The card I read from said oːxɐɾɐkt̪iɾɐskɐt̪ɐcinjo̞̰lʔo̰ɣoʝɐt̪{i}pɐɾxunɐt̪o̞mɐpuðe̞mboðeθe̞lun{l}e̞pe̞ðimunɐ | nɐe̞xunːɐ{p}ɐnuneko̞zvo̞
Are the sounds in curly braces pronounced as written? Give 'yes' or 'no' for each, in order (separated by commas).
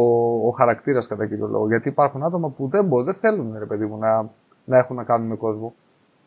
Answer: no, no, no